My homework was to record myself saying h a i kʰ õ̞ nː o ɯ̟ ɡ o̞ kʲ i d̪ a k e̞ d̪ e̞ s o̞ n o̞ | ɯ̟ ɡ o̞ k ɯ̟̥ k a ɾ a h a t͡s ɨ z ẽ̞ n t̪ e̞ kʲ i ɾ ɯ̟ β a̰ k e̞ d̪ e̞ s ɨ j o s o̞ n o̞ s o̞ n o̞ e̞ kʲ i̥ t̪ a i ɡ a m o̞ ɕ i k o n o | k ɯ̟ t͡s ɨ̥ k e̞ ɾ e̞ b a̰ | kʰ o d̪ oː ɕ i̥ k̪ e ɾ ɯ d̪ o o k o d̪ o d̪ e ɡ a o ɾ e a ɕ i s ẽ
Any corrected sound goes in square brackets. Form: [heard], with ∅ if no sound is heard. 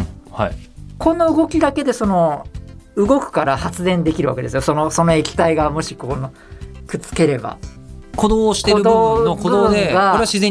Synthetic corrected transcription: h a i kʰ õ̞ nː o ɯ̟ ɡ o̞ kʲ i d̪ a k e̞ d̪ e̞ s o̞ n o̞ | ɯ̟ ɡ o̞ k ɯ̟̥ k a ɾ a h a t͡s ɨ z ẽ̞ n [d̪] e̞ kʲ i ɾ ɯ̟ β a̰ k e̞ d̪ e̞ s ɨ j o s o̞ n o̞ s o̞ n o̞ e̞ kʲ i̥ t̪ a i ɡ a m o̞ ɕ i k o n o | k ɯ̟ t͡s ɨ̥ k e̞ ɾ e̞ b a̰ | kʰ o d̪ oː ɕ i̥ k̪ e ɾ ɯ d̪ o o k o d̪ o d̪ e ɡ a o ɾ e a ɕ i [z] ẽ